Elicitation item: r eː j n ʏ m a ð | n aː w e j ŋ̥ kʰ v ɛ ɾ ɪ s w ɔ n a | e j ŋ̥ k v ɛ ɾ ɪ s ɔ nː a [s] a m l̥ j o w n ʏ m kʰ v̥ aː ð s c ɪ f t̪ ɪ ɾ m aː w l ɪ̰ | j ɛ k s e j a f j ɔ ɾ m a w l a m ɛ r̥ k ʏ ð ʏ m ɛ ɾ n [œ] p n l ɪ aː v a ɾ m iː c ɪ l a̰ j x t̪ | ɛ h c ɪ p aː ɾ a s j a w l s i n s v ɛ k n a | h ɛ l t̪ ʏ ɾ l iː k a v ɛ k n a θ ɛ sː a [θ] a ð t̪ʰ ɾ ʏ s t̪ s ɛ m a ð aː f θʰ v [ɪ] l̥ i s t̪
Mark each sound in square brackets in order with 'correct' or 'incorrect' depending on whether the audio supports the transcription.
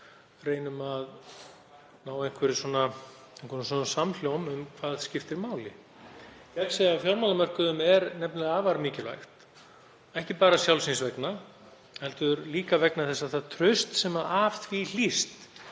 correct, incorrect: ɛ, correct, incorrect: i

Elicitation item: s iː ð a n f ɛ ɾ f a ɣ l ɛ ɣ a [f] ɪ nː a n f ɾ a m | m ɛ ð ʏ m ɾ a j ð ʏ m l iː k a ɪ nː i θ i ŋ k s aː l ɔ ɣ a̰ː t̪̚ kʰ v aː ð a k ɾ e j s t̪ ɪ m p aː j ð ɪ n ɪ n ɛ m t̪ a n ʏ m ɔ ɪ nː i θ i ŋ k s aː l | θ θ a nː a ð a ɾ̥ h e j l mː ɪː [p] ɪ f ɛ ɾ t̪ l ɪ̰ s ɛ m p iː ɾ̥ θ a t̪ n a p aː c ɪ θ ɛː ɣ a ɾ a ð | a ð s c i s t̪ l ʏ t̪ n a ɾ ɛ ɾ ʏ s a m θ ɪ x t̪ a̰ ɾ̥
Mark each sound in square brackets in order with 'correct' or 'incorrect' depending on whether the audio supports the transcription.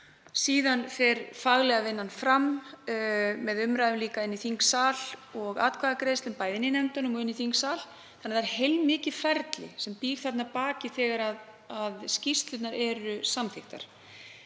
incorrect: v, incorrect: c

